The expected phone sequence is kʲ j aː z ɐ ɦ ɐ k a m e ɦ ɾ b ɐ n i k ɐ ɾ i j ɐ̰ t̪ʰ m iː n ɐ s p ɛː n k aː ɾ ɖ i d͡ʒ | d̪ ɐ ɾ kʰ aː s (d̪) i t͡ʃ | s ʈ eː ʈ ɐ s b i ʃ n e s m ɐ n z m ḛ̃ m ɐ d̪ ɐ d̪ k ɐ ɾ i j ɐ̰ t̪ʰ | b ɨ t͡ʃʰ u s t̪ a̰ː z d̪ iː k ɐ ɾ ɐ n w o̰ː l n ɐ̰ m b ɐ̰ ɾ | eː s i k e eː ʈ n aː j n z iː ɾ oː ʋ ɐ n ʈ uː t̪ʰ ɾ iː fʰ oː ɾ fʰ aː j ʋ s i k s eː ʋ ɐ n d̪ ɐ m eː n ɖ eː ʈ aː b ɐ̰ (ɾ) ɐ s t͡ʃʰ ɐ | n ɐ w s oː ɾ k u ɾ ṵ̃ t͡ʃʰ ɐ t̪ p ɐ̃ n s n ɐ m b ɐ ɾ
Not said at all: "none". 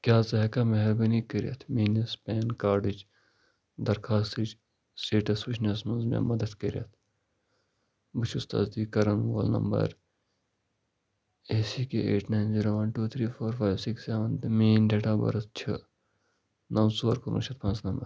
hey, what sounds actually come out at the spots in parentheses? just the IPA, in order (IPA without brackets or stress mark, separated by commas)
t̪, ɾ